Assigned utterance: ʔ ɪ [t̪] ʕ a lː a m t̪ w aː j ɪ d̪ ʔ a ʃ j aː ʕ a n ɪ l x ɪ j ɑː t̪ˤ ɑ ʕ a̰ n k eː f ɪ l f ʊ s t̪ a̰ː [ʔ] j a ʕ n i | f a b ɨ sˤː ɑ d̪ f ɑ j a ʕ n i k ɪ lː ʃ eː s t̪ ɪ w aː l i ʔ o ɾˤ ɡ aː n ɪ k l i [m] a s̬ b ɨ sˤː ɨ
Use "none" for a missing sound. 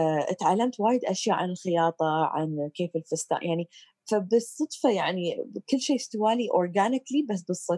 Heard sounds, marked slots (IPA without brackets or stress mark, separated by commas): t̪, ʔ, b